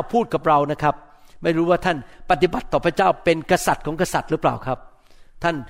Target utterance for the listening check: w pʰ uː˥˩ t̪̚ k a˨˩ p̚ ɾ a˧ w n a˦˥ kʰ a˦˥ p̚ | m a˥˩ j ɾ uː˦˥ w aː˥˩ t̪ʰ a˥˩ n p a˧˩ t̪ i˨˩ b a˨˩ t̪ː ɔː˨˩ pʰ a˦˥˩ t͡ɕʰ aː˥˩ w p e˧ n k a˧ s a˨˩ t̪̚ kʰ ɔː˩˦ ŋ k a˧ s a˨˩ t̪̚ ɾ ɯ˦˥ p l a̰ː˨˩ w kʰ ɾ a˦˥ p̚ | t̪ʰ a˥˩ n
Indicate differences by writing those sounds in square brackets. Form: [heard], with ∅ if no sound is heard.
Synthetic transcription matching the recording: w pʰ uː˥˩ t̪̚ k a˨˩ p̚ ɾ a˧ w n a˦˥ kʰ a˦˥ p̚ | m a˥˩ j ɾ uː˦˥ w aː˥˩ t̪ʰ a˥˩ n p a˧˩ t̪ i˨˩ b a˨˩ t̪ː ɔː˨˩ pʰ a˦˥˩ [t͡ɕ] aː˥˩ w p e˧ n k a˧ s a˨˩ t̪̚ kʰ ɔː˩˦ ŋ k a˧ s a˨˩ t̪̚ ɾ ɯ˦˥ p l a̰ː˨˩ w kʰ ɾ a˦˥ p̚ | t̪ʰ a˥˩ n